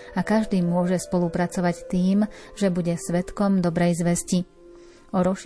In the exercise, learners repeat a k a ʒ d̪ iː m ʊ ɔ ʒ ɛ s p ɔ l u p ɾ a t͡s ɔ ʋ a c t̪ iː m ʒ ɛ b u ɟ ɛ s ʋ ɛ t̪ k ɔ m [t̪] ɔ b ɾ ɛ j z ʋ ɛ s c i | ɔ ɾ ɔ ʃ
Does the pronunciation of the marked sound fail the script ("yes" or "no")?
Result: yes